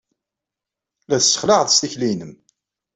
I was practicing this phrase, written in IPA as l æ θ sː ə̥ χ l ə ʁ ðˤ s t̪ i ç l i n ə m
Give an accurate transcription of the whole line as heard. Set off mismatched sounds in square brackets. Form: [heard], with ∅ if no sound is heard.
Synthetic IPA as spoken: l æ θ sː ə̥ χ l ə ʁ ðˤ s t̪ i ç l i n ə m

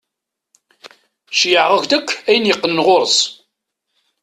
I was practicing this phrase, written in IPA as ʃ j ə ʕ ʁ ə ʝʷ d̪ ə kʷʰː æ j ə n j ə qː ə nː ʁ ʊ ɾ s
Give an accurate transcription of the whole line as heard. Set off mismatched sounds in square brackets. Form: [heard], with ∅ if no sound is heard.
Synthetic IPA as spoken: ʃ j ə ʕ ʁ ə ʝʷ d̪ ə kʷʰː æ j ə n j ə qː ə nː ʁ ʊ ɾ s

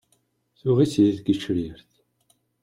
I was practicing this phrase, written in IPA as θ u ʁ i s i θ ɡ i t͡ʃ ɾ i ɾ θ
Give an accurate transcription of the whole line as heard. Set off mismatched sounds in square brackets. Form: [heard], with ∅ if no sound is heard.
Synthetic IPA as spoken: θ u ʁ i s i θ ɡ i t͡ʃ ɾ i ɾ θ

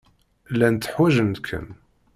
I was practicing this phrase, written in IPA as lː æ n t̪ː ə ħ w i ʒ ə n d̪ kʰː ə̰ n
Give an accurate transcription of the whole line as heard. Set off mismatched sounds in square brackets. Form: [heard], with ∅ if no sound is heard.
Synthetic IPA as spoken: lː æ n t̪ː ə ħ w [æ] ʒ ə n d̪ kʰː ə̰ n

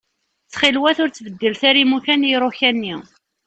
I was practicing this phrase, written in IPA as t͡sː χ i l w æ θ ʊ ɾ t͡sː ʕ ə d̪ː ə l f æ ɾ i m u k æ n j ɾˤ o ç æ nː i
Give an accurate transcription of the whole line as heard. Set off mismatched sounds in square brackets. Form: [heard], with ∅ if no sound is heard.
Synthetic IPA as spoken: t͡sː χ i l w æ θ ʊ ɾ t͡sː [v] ə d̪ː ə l [θ] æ ɾ i m u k æ n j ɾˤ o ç æ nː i

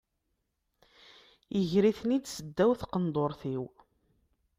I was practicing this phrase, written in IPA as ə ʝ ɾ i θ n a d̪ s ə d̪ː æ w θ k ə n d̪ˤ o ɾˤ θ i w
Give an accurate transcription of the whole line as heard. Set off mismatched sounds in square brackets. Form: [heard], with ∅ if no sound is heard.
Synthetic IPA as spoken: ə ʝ ɾ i θ n [i] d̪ s ə d̪ː æ w θ [q] ə n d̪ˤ o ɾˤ θ i w

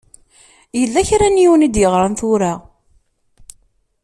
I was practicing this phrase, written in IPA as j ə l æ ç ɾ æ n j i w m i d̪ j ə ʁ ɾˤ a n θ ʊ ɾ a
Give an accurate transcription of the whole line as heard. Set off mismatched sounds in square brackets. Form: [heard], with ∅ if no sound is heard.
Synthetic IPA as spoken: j ə [lː] æ ç ɾ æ n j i w [n] i d̪ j ə ʁ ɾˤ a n θ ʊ ɾ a

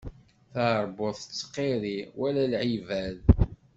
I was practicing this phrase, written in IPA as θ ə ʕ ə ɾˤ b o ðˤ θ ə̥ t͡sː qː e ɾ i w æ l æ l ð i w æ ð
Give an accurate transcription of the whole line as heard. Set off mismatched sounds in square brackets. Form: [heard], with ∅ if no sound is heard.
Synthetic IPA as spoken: θ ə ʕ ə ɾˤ b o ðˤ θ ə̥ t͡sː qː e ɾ i w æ l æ l [ʕ] i [v] æ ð

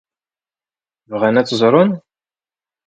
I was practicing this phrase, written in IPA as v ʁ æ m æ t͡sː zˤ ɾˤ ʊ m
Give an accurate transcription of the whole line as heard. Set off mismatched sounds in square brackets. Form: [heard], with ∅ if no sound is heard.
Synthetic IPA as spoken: v ʁ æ [n] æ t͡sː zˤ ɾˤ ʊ [n]

